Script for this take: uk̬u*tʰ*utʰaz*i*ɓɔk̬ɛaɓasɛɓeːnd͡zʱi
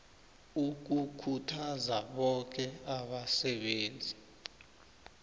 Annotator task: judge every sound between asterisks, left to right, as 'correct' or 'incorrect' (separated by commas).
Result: incorrect, incorrect